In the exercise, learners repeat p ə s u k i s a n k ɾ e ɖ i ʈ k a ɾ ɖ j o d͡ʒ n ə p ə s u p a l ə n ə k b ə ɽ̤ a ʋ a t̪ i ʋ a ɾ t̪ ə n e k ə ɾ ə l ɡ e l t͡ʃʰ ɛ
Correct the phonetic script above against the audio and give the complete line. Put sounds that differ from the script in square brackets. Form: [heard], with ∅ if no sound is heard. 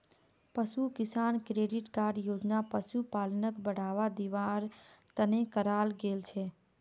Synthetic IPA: p ə s u k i s a n k ɾ e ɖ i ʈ k a ɾ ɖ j o d͡ʒ n [a] p ə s u p a l ə n ə k b ə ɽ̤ a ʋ a [d̪] i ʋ a ɾ t̪ ə n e k ə ɾ [a] l ɡ e l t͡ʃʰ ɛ